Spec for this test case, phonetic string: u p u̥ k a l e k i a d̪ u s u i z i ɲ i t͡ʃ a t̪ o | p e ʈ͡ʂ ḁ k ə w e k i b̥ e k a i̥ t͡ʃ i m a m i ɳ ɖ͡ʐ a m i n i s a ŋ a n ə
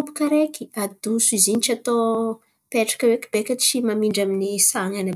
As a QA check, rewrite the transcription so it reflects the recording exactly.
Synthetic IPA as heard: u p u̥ k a ɾ e k i a d̪ u s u i z i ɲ i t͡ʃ a t̪ o | p e ʈ͡ʂ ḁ k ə w e k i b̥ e k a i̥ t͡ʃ i m a m i ɳ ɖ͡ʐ a m i n i s a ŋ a n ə

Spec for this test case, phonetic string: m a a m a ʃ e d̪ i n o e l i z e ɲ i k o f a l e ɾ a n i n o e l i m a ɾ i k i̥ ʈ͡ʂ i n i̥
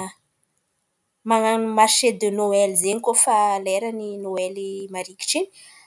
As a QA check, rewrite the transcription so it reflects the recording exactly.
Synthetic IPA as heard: m a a m a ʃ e d̪ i n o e l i z e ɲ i k o f a l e ɾ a n i n o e l i m a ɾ i k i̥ ʈ͡ʂ i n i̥

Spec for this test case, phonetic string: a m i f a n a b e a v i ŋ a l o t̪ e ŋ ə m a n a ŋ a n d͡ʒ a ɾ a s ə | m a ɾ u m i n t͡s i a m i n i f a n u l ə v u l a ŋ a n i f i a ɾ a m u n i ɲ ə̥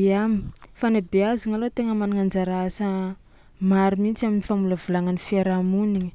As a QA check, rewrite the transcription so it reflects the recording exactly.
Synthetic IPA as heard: a m i f a n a b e a z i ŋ a l o t̪ e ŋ ə m a n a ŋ a n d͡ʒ a ɾ a s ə | m a ɾ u m i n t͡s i a m i n i f a m u l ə v u l a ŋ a n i f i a ɾ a m u n i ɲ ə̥

